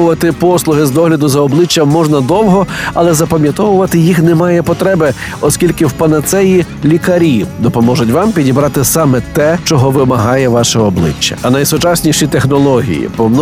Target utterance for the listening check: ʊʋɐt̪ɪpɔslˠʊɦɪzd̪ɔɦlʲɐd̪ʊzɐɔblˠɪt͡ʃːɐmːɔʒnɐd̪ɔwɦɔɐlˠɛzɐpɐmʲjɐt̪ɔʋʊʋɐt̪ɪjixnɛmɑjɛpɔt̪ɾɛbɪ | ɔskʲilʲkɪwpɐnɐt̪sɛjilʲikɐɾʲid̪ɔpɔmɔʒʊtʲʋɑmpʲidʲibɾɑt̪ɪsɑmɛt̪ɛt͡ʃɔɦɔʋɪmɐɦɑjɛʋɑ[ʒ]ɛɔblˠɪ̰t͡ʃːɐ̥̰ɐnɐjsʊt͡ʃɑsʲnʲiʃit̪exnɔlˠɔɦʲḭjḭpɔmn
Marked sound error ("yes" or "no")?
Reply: yes